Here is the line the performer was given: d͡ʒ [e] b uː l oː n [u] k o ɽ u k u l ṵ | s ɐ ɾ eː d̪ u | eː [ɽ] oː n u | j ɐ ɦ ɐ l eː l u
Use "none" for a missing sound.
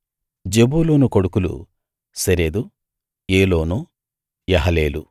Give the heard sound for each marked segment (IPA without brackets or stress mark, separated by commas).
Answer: e, u, l